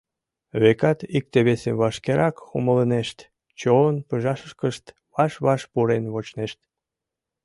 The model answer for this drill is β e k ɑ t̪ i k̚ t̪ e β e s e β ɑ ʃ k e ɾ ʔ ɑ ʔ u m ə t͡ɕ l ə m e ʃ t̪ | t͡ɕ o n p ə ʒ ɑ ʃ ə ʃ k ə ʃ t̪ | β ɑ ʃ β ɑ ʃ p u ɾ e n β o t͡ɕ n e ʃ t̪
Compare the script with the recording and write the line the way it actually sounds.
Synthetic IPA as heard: β e k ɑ t̪ i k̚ t̪ e β e s e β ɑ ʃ k e ɾ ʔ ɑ k u m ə l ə n e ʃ t̪ | t͡ɕ o n p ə ʒ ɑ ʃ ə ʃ k ə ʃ t̪ | β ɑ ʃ β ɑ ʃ p u ɾ e n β o t͡ɕ n e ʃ t̪